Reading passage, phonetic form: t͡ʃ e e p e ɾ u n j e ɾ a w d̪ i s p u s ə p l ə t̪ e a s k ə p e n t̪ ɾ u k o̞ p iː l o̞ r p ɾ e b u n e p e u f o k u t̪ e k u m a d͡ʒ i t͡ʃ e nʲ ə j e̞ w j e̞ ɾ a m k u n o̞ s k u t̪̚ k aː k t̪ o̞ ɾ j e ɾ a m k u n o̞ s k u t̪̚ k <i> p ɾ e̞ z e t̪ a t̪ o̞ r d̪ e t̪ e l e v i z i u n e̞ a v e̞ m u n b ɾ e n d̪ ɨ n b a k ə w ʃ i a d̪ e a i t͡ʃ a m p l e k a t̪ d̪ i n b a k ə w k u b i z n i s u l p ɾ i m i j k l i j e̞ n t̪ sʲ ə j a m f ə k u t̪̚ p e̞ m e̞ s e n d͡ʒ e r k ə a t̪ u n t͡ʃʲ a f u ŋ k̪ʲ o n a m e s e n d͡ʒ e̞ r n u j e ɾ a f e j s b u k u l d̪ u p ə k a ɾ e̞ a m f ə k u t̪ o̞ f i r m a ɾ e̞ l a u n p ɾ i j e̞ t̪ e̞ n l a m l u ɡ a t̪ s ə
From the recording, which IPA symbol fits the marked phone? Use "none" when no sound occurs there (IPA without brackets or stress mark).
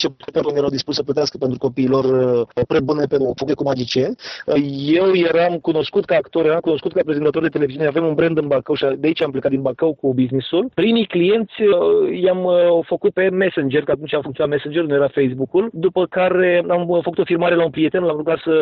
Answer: a